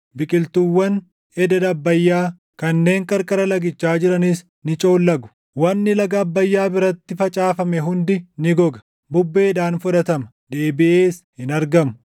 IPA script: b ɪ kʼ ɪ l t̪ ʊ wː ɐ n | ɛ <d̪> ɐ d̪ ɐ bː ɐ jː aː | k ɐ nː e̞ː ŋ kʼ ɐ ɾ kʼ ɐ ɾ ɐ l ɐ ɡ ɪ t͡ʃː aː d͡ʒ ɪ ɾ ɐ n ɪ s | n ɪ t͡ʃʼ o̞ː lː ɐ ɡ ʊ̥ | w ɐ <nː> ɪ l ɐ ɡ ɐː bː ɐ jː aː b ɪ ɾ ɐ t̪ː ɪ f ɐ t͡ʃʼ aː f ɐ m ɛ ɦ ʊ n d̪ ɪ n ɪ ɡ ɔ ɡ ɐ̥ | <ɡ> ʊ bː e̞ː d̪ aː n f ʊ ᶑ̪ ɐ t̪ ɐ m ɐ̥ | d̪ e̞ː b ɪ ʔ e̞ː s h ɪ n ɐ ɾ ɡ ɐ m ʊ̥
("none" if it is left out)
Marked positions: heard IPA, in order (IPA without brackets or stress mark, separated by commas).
d̪, nː, b